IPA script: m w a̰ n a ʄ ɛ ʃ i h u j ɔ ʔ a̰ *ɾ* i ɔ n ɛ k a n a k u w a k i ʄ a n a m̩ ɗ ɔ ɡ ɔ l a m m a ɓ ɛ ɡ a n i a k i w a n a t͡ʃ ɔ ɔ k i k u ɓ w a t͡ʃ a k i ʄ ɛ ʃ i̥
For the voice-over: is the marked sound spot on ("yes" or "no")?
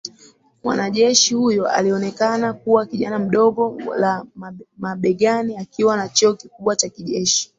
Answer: no